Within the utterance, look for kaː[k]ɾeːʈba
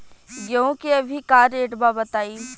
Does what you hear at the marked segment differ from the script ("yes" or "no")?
yes